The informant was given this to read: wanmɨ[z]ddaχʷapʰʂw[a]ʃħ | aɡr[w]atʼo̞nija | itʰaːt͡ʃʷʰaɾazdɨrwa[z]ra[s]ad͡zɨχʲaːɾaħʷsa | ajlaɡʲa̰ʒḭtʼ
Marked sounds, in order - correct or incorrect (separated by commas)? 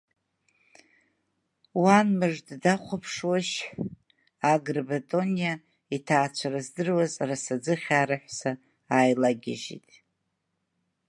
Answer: incorrect, correct, incorrect, correct, correct